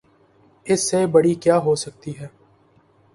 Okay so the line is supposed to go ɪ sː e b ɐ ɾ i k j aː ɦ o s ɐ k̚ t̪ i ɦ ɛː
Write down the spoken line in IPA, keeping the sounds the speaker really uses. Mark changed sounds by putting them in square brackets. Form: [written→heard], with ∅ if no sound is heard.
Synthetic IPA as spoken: ɪ sː e b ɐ [ɾ→ɽ] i k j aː ɦ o s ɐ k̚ t̪ i ɦ ɛː

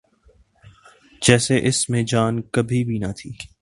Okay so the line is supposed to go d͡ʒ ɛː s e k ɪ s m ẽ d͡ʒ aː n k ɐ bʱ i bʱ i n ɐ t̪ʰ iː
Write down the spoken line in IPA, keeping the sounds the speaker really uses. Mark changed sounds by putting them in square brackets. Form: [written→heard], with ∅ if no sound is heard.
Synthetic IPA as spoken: d͡ʒ ɛː s e [k→ʔ] ɪ s m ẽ d͡ʒ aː n k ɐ bʱ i bʱ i n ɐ t̪ʰ iː

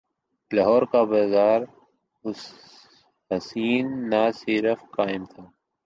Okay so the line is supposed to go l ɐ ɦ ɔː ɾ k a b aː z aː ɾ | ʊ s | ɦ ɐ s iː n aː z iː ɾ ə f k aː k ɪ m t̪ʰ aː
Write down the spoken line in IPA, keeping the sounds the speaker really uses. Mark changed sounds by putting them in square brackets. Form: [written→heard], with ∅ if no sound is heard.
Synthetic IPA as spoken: l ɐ ɦ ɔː ɾ k a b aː z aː ɾ | ʊ s | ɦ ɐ s iː [n→nː] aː [z→s] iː ɾ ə f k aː [k→∅] ɪ m t̪ʰ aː

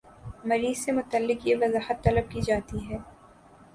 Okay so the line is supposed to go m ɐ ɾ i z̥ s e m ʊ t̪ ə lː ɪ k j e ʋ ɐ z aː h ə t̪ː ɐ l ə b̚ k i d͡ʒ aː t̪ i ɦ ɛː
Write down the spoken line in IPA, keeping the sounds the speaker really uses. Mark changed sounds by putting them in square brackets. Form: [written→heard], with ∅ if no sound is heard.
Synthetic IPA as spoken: m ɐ ɾ [i→iː] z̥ s e m ʊ t̪ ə lː ɪ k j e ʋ ɐ z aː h ə t̪ː ɐ l ə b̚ k i d͡ʒ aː t̪ i ɦ ɛː

